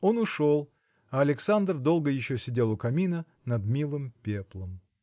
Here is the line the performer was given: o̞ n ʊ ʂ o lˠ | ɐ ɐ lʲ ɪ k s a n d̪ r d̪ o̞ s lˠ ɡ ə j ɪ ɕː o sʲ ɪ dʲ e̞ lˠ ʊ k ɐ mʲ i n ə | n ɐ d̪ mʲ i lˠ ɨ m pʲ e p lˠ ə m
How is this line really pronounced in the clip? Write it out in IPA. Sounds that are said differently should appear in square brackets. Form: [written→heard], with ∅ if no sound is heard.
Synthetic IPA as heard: o̞ n ʊ ʂ o lˠ | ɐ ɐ lʲ ɪ k s a n d̪ r d̪ o̞ [s→∅] lˠ ɡ ə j ɪ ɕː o sʲ ɪ dʲ e̞ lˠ ʊ k ɐ mʲ i n ə | n ɐ d̪ mʲ i lˠ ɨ m pʲ e p lˠ ə m

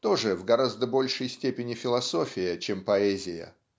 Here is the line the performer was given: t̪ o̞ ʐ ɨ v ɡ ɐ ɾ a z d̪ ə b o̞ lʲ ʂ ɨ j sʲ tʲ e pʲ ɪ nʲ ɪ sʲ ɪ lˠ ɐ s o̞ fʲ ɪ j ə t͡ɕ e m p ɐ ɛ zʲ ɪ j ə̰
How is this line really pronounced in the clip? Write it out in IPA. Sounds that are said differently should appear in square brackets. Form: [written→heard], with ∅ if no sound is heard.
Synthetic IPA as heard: t̪ o̞ ʐ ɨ v ɡ ɐ ɾ a z d̪ ə b o̞ lʲ ʂ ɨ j sʲ tʲ e pʲ ɪ nʲ ɪ [sʲ→fʲ] ɪ lˠ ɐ s o̞ fʲ ɪ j ə t͡ɕ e m p ɐ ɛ zʲ ɪ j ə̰

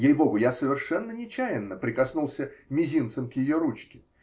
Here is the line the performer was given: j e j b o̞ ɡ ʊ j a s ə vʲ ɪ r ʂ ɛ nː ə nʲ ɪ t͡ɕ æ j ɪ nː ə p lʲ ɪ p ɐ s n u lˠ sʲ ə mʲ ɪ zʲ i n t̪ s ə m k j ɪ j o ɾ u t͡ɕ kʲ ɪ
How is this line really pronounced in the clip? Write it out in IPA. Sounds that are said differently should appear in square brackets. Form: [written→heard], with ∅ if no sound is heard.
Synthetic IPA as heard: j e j b o̞ ɡ ʊ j a s ə vʲ ɪ r ʂ ɛ nː ə nʲ ɪ t͡ɕ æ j ɪ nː ə p [lʲ→ɾʲ] ɪ [p→k] ɐ s n u lˠ sʲ ə mʲ ɪ zʲ i n t̪ s ə m k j ɪ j o ɾ u t͡ɕ kʲ ɪ

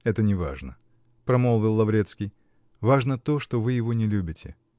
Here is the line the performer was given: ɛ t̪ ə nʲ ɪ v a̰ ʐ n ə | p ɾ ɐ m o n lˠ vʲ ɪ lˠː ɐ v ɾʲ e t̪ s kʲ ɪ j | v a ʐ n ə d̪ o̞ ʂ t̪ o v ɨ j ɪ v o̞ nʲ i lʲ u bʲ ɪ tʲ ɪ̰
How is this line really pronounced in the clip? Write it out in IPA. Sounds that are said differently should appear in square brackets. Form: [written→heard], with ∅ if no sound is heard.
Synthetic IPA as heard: ɛ t̪ ə nʲ ɪ v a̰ ʐ n ə | p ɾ ɐ m o [n→∅] lˠ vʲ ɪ lˠː ɐ v ɾʲ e t̪ s kʲ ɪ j | v a ʐ n ə [d̪→t̪] o̞ ʂ t̪ o v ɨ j ɪ v o̞ nʲ [i→ɪ] lʲ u bʲ ɪ tʲ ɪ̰

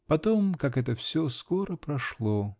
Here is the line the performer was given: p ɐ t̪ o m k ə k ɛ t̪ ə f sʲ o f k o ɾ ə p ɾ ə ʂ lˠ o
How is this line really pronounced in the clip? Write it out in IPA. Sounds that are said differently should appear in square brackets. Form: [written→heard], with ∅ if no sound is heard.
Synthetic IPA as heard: p ɐ t̪ o m k [ə→a] k ɛ t̪ ə f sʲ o [f→s] k o ɾ ə p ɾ [ə→ɐ] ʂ lˠ o

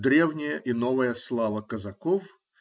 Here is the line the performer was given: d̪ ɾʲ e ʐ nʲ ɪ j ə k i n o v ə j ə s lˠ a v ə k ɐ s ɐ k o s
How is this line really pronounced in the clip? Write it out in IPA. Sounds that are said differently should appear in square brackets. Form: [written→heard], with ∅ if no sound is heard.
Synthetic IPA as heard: d̪ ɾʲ e [ʐ→v] nʲ ɪ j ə [k→ʔ] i n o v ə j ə s lˠ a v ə k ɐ [s→z] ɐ k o [s→f]

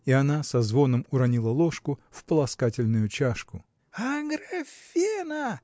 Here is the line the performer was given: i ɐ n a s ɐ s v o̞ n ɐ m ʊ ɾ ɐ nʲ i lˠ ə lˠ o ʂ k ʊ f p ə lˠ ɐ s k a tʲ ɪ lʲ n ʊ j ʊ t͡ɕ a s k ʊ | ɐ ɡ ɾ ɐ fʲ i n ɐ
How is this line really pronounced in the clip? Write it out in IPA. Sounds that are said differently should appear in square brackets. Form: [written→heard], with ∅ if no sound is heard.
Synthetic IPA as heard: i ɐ n a s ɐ [s→z] v o̞ n [ɐ→ə] m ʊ ɾ ɐ nʲ i lˠ ə lˠ o ʂ k ʊ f p ə lˠ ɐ s k a tʲ ɪ lʲ n ʊ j ʊ t͡ɕ a [s→ʂ] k ʊ | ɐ ɡ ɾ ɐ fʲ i n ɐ

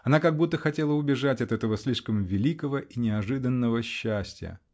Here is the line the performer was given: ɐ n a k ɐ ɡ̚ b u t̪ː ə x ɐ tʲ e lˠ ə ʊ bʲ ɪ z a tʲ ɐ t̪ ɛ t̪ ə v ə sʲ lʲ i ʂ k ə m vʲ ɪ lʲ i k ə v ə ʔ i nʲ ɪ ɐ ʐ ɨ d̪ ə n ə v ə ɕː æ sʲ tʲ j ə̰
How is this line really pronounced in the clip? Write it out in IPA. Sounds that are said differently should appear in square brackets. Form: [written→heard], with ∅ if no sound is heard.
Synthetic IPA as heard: ɐ n a k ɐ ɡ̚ b u t̪ː ə x ɐ tʲ e lˠ ə ʊ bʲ ɪ [z→ʐ] a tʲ ɐ t̪ ɛ t̪ ə v ə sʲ lʲ i ʂ k ə m vʲ ɪ lʲ i k ə v ə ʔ i nʲ ɪ ɐ ʐ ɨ d̪ ə [n→nː] ə v ə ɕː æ sʲ tʲ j ə̰

